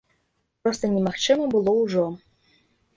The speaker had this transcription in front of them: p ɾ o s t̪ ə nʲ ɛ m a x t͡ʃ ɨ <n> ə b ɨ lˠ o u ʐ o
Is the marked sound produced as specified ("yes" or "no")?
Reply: no